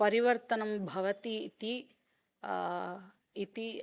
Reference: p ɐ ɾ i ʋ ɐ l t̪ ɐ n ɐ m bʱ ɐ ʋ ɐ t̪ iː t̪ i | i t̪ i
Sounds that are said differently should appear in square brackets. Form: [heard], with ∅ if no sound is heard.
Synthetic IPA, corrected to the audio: p ɐ ɾ i ʋ ɐ [ɾ] t̪ ɐ n ɐ m bʱ ɐ ʋ ɐ t̪ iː t̪ i | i t̪ i